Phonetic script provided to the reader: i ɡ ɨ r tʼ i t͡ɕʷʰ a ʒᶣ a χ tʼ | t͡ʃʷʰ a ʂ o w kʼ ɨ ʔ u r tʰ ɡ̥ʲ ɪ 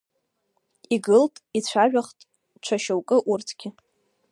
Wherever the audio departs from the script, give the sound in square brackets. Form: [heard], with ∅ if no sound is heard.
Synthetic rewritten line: i ɡ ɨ [l] tʼ i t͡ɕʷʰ a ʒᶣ a χ tʼ | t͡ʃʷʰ a [ʃ] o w kʼ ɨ ʔ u r tʰ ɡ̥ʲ ɪ

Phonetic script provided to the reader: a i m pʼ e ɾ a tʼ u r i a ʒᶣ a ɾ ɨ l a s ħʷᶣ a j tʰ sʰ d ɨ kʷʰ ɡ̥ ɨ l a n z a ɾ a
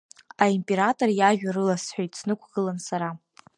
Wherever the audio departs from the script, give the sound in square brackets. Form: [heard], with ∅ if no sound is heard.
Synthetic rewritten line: a i m pʼ e ɾ a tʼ [o] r [j] a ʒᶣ a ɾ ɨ l a s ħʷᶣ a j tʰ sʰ [n] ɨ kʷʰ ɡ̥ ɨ l a n [s] a ɾ a

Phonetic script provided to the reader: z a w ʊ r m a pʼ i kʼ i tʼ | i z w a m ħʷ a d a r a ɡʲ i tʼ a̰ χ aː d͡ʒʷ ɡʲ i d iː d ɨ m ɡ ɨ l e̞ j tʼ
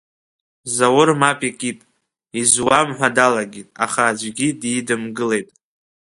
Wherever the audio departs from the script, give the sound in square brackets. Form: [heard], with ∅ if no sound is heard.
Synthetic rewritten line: z a w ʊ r m a pʼ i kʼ i tʼ | i z w a m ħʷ a d a [l] a ɡʲ i tʼ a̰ χ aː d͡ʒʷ ɡʲ i d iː d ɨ m ɡ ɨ l e̞ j tʼ

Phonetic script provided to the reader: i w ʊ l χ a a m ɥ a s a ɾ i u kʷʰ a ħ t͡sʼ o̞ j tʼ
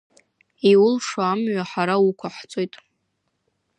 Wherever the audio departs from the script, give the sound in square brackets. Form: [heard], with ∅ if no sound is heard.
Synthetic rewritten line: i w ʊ l [ʂ] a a m ɥ a [ħ] a ɾ [a] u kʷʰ a ħ t͡sʼ o̞ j tʼ

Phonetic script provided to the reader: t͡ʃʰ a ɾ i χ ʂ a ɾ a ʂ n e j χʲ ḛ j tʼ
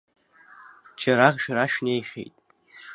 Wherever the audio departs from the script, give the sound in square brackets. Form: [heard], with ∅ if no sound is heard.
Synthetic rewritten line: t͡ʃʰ a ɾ [a] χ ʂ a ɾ a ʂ n e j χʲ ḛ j tʼ

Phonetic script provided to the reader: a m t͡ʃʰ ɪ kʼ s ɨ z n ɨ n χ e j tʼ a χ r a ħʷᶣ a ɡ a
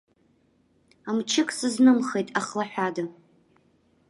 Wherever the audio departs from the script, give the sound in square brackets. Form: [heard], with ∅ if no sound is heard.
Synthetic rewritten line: a m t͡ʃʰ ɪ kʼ s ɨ z n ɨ [m] χ e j tʼ a χ [l] a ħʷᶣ a [d] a

